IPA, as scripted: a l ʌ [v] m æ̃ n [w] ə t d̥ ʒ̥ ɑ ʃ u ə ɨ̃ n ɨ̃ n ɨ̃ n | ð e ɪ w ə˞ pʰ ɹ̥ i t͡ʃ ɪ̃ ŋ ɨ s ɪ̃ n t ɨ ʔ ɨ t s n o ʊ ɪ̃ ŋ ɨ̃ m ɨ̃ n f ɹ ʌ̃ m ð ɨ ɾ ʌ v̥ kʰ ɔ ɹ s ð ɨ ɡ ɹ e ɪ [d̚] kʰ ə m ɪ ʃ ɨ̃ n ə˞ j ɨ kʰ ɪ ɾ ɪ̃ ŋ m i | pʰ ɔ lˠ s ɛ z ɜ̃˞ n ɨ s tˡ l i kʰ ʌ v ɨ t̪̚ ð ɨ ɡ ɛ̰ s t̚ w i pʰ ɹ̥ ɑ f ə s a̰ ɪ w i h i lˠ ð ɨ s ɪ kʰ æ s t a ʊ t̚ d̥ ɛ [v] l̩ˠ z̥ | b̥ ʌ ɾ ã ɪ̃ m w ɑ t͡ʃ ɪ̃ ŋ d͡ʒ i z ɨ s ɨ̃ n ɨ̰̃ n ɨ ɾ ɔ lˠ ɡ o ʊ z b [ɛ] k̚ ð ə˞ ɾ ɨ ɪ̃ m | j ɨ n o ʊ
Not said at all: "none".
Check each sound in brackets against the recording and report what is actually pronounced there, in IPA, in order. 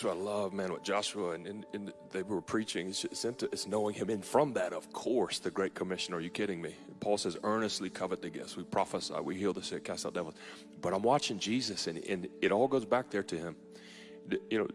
v, w, t̚, v, æ

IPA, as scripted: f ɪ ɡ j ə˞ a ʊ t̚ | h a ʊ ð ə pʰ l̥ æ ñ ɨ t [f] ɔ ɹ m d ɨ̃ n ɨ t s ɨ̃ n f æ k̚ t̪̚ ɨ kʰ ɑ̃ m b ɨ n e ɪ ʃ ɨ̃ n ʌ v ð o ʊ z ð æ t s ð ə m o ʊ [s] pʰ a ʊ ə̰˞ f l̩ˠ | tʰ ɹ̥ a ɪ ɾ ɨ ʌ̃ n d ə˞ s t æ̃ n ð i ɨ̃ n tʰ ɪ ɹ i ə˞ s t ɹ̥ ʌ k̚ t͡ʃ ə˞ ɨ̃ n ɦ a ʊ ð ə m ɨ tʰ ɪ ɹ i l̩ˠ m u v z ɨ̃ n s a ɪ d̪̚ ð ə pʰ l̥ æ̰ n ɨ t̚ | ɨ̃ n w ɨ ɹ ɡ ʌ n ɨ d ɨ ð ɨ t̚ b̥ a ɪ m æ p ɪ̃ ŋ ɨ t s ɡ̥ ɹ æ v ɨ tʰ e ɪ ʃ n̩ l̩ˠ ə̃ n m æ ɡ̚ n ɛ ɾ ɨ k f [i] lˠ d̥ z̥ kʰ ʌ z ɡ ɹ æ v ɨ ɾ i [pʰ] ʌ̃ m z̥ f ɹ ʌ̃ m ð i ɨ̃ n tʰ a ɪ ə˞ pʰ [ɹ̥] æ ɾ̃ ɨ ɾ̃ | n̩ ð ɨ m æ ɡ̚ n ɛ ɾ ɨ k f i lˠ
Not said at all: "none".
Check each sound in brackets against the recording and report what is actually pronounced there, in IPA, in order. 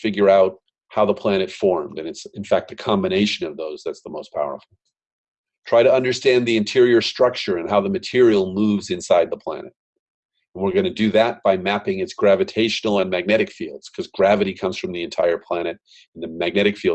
f, s, i, kʰ, l̥

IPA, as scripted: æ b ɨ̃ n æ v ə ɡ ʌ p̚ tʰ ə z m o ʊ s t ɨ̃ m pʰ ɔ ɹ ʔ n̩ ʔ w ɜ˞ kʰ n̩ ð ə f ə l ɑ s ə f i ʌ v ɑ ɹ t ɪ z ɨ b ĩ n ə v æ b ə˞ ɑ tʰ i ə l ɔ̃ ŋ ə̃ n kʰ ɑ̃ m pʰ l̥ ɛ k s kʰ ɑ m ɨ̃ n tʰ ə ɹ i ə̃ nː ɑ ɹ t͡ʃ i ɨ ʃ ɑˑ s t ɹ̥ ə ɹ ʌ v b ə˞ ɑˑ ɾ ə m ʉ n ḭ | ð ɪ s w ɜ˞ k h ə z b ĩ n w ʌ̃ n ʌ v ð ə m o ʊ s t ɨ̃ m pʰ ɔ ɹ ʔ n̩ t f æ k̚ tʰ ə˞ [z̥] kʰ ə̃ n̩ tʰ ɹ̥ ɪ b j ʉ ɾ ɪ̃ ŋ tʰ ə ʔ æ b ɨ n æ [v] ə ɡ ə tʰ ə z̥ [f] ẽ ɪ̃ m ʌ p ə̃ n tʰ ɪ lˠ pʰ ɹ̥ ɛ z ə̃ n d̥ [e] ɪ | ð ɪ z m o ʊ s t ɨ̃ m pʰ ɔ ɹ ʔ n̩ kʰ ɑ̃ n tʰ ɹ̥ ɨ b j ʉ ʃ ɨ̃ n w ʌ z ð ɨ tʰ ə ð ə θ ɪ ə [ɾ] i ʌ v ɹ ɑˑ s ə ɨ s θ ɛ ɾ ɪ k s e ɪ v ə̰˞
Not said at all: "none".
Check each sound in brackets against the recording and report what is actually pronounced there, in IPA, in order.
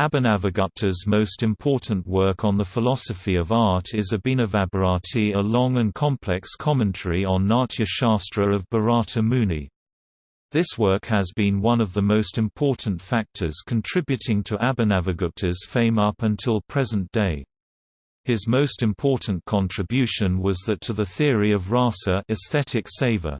z̥, v, f, e, ɹ

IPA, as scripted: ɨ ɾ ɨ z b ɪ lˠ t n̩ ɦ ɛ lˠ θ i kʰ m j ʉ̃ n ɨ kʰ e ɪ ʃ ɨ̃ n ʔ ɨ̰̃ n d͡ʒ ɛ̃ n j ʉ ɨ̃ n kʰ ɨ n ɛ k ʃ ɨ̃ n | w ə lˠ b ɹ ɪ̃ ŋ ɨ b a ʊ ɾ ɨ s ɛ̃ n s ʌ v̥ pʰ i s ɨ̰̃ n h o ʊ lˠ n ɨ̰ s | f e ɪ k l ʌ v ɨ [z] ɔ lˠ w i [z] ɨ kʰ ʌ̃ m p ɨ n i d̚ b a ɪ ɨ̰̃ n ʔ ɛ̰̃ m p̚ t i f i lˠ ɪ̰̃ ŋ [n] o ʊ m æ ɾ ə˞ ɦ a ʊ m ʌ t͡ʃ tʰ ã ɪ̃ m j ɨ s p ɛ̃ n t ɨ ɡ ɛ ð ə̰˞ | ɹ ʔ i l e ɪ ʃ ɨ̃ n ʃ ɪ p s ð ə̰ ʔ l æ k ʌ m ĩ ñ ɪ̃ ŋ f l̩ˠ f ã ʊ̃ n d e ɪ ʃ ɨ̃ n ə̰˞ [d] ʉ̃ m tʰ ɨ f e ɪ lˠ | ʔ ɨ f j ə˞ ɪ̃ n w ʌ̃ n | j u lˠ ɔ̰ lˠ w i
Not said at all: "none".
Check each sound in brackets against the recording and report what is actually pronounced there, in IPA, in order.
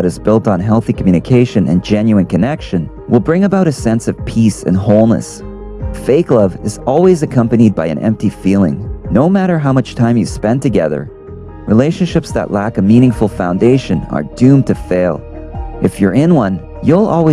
z, z, n, d

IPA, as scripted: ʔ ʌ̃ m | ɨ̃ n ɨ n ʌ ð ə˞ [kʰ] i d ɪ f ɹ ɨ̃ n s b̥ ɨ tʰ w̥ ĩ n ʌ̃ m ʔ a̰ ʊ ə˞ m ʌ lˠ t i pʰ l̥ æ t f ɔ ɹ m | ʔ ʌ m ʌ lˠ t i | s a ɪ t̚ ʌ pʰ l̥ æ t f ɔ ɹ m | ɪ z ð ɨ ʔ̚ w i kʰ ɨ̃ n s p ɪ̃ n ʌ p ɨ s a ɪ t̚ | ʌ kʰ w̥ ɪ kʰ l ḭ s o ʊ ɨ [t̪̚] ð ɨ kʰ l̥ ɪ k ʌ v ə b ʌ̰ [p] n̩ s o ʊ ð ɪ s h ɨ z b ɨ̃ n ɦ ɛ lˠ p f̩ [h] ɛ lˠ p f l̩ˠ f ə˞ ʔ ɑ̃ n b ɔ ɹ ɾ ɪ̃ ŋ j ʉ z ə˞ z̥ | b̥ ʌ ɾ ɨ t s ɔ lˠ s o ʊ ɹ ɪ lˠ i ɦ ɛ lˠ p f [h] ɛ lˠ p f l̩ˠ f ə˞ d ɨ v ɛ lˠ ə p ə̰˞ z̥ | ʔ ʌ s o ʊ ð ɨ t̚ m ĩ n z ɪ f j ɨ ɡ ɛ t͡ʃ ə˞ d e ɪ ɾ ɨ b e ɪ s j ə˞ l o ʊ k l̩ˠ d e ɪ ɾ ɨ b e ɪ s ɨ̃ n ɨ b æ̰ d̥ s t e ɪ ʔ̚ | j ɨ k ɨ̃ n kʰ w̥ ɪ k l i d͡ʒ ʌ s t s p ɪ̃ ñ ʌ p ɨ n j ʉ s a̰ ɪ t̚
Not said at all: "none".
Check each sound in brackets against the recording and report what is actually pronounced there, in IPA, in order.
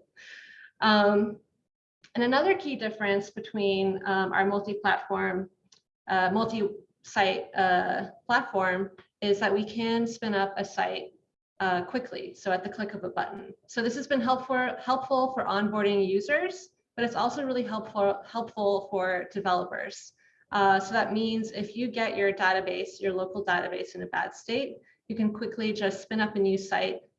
kʰ, t̪̚, ʔ, h, h

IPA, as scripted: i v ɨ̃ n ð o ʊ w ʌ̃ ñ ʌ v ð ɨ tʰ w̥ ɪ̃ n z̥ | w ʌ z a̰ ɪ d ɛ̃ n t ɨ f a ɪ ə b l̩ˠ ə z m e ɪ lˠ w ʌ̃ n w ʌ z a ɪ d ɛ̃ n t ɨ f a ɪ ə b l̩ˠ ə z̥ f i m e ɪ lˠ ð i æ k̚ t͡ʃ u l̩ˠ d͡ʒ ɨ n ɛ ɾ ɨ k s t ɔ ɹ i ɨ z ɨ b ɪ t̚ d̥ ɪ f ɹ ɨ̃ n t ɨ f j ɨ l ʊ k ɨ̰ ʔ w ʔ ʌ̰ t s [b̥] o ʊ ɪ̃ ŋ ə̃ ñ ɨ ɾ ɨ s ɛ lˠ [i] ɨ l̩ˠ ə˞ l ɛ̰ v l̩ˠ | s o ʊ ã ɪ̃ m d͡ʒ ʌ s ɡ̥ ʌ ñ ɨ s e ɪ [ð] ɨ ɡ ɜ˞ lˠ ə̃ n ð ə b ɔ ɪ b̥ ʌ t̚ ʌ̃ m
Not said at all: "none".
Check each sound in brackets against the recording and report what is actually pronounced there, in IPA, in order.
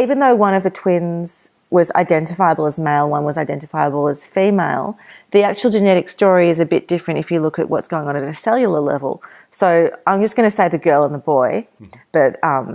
ɡ̥, j, ð

